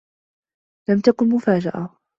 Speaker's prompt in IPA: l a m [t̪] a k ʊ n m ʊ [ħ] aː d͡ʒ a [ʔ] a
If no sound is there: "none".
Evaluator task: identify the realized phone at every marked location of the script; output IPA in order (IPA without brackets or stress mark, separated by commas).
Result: t̪, f, ʔ